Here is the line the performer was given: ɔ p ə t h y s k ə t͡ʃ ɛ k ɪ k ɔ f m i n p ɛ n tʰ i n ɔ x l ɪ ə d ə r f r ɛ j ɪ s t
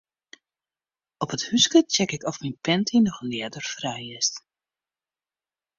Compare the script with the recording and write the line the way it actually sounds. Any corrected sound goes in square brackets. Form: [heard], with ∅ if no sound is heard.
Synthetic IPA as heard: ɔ p ə t h y s k ə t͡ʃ ɛ k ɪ k ɔ f m i n p ɛ n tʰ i n ɔ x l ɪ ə d ə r f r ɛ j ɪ s t